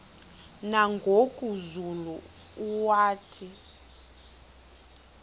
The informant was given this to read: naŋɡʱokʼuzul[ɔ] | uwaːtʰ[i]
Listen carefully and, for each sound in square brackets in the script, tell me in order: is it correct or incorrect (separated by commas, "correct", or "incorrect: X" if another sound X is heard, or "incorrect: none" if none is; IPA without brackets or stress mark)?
incorrect: u, correct